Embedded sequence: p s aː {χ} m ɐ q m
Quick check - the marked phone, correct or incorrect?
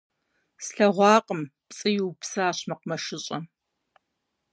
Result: incorrect